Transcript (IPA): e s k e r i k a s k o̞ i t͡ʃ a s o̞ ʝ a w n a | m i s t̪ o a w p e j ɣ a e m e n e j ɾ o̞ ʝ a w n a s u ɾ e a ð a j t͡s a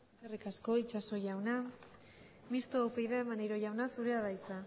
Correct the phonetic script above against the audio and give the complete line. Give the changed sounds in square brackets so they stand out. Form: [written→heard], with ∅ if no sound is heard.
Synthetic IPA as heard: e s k e r i k a s k o̞ i t͡ʃ a s o̞ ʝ a w n a | m i s t̪ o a w p e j [ɣ→ð] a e m [e→a] n e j ɾ o̞ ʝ a w n a s u ɾ e a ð a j t͡s a

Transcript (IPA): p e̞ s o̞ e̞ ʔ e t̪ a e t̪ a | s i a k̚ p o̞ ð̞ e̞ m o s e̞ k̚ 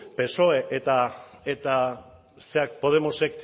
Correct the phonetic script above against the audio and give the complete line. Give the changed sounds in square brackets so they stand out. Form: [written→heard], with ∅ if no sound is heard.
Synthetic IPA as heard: p e̞ s o̞ e̞ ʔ e t̪ a e t̪ a | s [i→e] a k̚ p o̞ ð̞ e̞ m o s e̞ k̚

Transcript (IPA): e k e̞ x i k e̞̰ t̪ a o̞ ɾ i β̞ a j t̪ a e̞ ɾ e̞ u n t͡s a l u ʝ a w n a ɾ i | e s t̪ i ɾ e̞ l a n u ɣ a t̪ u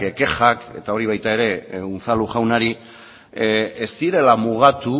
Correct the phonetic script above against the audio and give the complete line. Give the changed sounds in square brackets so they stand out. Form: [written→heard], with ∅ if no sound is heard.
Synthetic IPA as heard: e k e̞ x [i→a] k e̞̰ t̪ a o̞ ɾ i β̞ a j t̪ a e̞ ɾ e̞ u n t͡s a l u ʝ a w n a ɾ i | e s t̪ i ɾ e̞ l a [n→m] u ɣ a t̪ u

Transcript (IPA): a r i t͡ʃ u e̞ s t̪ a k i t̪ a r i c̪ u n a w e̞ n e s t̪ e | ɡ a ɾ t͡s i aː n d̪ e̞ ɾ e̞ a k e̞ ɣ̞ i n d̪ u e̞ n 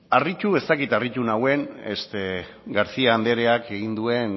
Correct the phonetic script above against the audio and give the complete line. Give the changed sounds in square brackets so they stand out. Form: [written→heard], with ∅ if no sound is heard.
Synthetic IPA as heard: a r i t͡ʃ u e̞ s t̪ a k i t̪ a r i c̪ u n a w e̞ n e s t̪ e | ɡ a ɾ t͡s i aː n d̪ e̞ ɾ e̞ a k e̞ ɣ̞ i n d̪ u e̞ n

